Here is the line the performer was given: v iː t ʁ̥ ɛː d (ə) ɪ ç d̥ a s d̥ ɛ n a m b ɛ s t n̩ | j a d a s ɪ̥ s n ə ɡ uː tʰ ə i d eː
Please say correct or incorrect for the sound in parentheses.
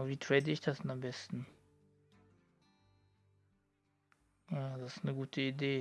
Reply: correct